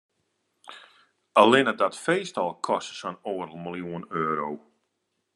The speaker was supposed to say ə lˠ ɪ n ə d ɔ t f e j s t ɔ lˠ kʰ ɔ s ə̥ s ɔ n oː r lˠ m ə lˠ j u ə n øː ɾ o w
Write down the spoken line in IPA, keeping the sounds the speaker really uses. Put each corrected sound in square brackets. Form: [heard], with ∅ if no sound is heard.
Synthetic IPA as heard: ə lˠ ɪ n ə d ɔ t f e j s t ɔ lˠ kʰ ɔ s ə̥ s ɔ n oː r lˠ m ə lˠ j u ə n øː ɾ o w